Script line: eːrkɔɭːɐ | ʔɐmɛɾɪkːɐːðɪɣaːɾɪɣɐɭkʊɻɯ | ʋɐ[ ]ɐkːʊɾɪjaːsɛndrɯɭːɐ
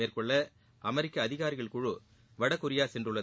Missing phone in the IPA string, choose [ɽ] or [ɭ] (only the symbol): ɽ